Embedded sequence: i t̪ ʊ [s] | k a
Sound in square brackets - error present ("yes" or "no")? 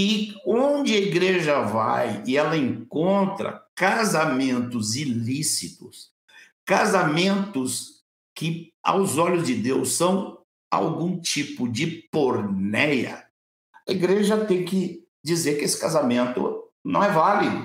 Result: no